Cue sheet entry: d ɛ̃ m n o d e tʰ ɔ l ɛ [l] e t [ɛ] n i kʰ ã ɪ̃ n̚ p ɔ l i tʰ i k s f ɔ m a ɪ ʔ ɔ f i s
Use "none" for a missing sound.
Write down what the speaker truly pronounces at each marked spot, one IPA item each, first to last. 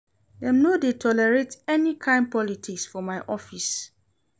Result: ɹ, ɛ

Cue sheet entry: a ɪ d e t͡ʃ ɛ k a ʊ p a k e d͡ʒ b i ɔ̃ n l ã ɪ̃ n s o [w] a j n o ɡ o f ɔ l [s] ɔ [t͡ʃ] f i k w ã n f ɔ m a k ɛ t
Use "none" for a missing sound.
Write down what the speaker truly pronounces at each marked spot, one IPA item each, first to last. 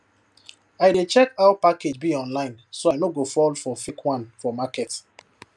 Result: none, f, none

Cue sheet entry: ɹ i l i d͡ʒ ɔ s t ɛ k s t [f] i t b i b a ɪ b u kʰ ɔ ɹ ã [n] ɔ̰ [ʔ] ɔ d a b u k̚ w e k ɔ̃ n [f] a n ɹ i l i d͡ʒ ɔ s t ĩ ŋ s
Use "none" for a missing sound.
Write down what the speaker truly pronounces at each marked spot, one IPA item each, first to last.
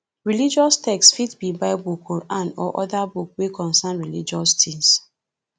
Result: f, n, ʔ, s

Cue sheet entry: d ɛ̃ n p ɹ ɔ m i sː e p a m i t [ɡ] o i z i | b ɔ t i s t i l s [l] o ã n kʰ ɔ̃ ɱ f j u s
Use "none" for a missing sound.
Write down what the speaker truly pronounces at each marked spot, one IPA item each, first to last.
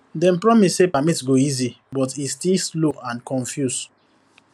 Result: ɡ, l

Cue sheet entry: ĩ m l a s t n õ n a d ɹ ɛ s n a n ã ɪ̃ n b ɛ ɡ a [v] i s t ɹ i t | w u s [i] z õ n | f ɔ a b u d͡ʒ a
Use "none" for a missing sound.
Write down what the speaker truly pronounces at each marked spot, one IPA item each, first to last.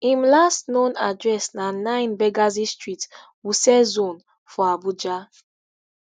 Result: z, ɛ

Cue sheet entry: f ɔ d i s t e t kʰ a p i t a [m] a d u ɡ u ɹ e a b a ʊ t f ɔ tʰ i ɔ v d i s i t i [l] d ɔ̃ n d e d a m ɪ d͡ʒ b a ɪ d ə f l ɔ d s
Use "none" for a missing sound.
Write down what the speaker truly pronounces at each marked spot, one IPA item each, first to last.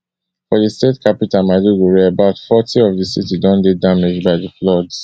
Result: m, none

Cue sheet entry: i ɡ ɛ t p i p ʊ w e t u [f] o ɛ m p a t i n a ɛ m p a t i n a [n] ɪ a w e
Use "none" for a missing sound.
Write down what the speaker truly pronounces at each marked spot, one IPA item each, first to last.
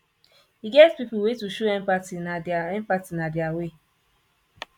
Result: ʃ, d

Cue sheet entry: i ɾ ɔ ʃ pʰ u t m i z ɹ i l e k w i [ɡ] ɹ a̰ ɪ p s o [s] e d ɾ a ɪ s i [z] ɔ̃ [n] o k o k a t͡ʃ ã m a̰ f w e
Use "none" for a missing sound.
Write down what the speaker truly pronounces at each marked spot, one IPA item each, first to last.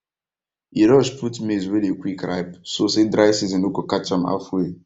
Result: k, s, z, n

